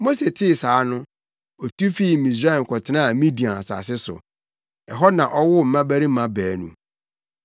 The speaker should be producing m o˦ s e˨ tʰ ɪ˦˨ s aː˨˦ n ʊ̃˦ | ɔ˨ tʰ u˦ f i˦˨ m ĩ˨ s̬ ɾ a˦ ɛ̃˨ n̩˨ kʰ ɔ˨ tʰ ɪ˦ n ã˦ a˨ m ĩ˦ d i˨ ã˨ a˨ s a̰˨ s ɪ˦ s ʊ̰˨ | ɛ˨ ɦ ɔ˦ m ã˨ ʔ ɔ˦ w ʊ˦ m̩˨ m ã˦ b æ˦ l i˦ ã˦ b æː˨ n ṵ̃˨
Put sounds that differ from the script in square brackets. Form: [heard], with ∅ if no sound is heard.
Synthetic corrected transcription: m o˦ s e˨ tʰ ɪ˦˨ s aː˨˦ n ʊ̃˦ | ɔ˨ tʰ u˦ f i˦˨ m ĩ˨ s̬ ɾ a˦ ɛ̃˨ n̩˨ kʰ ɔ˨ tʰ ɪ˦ n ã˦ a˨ m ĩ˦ d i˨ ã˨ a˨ s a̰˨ s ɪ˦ s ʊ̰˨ | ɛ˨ ɦ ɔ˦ [n] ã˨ ʔ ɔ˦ w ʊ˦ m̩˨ m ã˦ b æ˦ [ɾ] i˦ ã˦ b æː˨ n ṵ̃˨

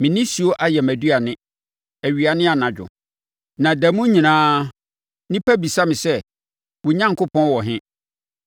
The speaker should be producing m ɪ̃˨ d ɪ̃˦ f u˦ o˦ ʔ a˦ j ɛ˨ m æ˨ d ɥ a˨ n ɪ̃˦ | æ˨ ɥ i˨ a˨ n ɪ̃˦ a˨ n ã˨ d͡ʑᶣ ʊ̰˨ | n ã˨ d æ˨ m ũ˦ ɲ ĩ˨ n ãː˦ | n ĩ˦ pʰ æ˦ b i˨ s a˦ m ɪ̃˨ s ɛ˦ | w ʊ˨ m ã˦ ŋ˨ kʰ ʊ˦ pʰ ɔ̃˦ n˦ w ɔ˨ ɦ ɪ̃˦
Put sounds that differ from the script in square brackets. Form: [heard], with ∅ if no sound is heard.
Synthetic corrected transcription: m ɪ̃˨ [n] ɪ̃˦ [s] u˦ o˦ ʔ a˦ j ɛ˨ m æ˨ d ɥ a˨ n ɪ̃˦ | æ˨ ɥ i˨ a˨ n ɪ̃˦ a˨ n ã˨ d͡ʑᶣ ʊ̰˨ | n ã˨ d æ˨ m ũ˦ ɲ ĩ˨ n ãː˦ | n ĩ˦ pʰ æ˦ b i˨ s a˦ m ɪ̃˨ s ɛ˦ | w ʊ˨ [ɲ] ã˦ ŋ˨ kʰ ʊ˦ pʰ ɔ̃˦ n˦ w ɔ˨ ɦ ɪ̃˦

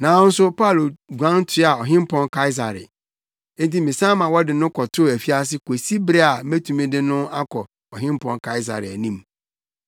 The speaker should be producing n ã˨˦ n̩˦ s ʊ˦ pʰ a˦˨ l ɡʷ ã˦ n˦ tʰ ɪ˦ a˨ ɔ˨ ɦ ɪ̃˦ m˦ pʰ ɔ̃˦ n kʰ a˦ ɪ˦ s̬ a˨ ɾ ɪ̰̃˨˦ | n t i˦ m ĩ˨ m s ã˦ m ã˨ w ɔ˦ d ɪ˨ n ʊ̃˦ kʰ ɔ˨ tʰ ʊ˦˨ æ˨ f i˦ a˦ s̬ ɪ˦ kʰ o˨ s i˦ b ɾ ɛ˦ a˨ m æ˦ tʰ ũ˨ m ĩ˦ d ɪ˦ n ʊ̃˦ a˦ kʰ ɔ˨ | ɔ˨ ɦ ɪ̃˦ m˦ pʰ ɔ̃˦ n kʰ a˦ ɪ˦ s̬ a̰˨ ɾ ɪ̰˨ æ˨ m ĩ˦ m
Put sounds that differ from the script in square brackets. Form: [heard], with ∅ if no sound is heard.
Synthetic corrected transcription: n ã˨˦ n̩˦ s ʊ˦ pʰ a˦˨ l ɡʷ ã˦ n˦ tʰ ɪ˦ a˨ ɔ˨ ɦ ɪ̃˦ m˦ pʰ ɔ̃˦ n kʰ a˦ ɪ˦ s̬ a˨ ɾ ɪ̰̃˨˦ | n t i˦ m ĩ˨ [∅] s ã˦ m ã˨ w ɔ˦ d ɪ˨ n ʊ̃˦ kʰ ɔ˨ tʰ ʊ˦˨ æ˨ f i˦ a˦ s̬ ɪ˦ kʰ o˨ s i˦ b ɾ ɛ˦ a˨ m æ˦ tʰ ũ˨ m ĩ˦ d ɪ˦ n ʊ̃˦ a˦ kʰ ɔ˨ | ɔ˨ ɦ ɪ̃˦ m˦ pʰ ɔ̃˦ n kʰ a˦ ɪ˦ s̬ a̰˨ ɾ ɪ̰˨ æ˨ [n] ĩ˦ m

